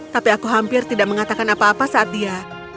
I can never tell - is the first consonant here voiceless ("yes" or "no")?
yes